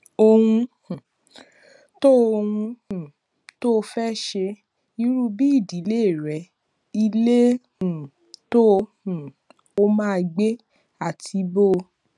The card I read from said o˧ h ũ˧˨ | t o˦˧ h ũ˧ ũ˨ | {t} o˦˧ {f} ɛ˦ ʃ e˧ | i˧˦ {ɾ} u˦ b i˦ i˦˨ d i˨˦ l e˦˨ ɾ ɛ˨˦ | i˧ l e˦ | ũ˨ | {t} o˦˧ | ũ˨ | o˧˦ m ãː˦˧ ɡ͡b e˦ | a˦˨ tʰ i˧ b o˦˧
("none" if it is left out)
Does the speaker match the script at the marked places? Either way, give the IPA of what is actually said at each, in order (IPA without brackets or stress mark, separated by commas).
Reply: t, f, ɾ, t